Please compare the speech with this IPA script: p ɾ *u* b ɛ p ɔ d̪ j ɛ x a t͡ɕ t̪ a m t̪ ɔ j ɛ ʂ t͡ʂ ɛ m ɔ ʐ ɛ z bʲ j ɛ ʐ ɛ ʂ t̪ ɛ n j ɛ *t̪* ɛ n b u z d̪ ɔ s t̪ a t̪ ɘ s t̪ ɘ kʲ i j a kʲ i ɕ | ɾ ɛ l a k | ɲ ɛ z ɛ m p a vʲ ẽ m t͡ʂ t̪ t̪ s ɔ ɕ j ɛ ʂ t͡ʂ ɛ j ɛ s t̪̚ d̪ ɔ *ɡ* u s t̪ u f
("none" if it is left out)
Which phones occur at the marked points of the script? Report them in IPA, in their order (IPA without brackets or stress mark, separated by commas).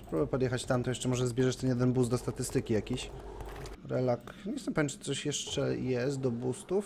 u, d̪, b